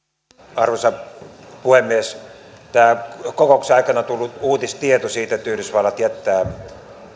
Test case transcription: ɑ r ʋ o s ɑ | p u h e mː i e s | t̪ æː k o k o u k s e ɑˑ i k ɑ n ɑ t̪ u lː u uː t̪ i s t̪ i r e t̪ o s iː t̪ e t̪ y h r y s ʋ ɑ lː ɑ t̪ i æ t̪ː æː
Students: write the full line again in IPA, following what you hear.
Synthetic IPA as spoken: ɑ r ʋ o s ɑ | p u h e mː i e s | t̪ æː k o k o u k s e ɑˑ i k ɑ n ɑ t̪ u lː u uː t̪ i s t̪ i e t̪ o s iː t̪ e t̪ y h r y s ʋ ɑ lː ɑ t̪ i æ t̪ː æː